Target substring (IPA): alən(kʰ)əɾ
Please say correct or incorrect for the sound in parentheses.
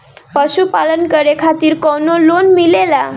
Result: incorrect